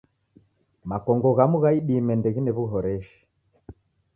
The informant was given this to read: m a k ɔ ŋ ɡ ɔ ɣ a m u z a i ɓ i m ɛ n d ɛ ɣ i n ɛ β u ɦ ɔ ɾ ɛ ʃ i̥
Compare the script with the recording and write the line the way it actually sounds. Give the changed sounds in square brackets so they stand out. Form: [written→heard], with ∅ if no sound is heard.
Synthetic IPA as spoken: m a k ɔ ŋ ɡ ɔ ɣ a m u [z→ɣ] a i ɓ i m ɛ n d ɛ ɣ i n ɛ β u ɦ ɔ ɾ ɛ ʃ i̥